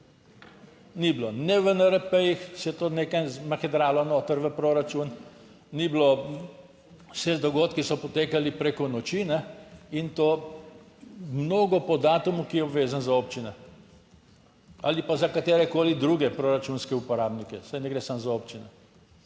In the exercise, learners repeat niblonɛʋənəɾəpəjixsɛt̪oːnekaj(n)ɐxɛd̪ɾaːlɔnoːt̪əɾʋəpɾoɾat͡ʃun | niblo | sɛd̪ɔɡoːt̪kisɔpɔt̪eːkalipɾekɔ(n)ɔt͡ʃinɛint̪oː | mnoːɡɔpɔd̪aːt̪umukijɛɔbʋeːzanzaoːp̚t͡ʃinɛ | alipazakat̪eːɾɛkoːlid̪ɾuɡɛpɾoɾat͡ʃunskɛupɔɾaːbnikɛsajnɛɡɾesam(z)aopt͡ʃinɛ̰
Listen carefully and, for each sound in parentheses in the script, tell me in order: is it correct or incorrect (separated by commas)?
incorrect, correct, correct